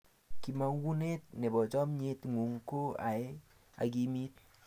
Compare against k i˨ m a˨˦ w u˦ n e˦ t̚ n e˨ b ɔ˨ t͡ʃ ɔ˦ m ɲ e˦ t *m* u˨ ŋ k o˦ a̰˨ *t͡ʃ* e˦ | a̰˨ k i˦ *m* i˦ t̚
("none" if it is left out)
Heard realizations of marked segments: ŋ, none, m

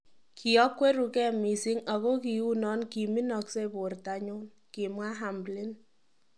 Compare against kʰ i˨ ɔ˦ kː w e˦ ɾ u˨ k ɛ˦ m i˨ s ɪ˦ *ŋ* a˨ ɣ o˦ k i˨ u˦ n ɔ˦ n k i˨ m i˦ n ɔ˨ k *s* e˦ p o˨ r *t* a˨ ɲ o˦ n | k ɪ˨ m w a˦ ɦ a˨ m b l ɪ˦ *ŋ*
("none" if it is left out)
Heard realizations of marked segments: ŋ, s, t, n

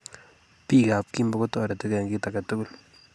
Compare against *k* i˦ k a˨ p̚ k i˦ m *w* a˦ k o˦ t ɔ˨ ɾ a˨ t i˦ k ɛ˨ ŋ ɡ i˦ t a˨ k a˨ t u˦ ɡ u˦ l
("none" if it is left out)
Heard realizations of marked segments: p, b

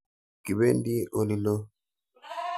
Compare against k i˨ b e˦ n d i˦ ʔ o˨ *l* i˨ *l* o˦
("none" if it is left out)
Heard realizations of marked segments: l, l

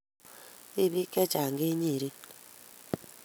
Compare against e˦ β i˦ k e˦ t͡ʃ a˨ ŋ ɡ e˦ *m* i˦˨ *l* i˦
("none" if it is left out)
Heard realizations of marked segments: ɲ, ɾ

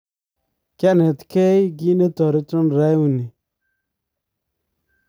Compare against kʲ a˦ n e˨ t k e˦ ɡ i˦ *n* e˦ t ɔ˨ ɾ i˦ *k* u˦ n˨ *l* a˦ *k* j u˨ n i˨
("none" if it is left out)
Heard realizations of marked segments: n, t, ɾ, none

